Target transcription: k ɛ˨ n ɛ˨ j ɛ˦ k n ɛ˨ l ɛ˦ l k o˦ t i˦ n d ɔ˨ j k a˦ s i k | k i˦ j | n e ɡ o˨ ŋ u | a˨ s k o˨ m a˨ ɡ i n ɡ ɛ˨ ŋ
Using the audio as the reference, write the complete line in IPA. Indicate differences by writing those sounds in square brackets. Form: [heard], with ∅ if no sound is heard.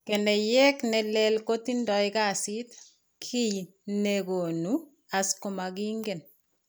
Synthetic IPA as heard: k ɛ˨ n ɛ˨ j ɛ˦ k n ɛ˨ l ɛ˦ l k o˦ t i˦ n d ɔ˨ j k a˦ s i [t] | [kʰ] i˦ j | n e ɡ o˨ [n] u | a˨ s k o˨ m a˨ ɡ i [ŋ] ɡ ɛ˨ [n]